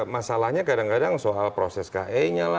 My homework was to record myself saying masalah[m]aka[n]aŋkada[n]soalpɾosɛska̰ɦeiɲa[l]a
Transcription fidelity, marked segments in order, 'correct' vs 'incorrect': incorrect, incorrect, incorrect, correct

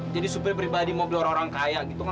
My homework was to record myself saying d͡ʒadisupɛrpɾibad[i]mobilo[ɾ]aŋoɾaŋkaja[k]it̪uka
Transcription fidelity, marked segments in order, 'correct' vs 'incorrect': correct, correct, incorrect

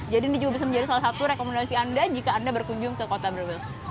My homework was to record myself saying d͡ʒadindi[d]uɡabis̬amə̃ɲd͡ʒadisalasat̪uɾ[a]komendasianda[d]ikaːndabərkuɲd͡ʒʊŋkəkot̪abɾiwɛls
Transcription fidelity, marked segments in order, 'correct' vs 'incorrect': incorrect, incorrect, incorrect

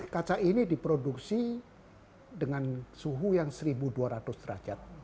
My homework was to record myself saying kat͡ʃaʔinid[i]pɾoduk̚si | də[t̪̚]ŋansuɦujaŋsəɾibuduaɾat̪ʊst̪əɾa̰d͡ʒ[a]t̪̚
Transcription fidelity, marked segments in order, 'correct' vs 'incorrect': correct, incorrect, correct

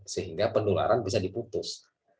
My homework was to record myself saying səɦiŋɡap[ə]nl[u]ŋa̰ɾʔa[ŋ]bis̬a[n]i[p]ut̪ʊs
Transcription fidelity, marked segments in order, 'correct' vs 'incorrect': correct, correct, incorrect, incorrect, correct

